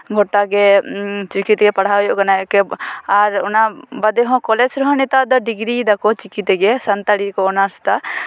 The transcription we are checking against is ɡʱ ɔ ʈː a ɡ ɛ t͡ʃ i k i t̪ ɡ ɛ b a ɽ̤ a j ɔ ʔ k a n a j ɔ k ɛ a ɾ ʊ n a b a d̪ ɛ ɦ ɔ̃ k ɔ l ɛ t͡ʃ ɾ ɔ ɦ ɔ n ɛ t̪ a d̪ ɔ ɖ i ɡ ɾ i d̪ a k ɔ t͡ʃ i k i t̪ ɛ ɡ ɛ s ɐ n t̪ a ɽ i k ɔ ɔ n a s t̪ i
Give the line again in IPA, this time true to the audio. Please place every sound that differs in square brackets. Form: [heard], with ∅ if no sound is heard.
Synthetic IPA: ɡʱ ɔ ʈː a ɡ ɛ t͡ʃ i k i t̪ ɡ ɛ [p] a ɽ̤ a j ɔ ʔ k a n a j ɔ k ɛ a ɾ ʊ n a b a d̪ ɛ ɦ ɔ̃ k ɔ l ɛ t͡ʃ ɾ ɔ ɦ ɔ n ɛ t̪ a d̪ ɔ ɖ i ɡ ɾ i d̪ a k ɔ t͡ʃ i k i t̪ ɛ ɡ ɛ s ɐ n t̪ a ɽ i k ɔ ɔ n a s t̪ [a]